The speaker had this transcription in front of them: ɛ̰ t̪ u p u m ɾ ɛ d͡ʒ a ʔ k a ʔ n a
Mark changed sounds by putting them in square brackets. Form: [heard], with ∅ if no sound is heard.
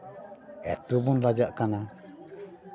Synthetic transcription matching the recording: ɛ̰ t̪ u [b] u [n] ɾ [a] d͡ʒ a ʔ k a [∅] n a